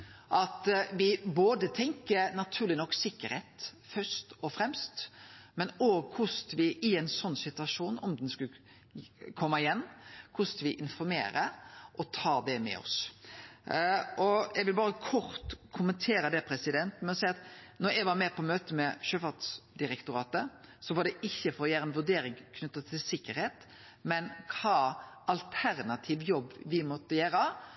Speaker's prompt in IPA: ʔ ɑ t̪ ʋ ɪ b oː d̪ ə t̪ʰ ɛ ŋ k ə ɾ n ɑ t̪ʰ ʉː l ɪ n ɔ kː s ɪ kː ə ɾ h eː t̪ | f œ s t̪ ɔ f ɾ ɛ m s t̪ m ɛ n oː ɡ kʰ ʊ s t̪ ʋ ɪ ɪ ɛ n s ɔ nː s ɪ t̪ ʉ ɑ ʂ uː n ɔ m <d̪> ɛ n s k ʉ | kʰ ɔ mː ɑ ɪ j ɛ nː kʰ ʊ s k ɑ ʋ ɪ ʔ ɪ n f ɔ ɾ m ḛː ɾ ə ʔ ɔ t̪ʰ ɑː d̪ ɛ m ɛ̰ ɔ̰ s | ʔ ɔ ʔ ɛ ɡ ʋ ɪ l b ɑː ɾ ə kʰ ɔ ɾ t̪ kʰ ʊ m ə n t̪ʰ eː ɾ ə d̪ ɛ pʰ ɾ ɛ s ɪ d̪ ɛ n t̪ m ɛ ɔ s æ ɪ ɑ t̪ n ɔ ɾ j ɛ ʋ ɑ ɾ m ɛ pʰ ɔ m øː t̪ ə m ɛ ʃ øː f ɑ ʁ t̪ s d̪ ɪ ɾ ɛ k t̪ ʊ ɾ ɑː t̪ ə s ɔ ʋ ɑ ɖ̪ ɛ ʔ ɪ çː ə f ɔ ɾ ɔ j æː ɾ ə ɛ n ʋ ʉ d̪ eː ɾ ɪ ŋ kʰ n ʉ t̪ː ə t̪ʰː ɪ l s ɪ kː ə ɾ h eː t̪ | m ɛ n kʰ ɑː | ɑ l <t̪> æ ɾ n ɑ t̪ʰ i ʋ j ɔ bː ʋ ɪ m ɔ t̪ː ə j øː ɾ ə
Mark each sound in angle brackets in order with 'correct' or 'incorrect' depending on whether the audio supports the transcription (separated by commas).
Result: correct, incorrect